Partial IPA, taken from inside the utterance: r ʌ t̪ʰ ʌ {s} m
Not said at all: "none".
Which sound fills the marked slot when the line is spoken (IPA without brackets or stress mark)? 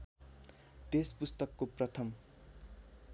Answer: none